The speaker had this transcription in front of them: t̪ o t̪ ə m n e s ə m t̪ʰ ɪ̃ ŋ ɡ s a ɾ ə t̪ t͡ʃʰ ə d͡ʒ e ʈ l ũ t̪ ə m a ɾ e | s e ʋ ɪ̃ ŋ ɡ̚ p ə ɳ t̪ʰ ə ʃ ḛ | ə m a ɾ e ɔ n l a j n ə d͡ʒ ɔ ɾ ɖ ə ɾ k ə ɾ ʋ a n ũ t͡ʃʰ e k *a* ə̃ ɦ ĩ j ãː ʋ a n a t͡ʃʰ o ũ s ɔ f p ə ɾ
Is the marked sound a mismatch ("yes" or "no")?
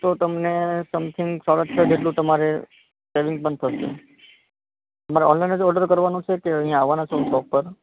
yes